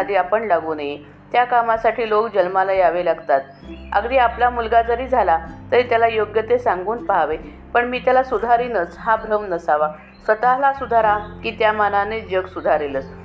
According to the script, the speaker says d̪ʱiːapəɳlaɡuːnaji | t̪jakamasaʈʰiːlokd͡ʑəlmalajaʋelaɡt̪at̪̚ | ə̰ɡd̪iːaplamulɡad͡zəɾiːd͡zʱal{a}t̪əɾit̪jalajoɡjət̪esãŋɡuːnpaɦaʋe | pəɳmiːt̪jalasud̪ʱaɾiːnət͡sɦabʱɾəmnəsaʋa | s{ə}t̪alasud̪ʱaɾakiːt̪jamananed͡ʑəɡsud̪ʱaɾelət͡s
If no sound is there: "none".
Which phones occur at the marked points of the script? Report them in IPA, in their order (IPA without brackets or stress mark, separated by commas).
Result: a, ə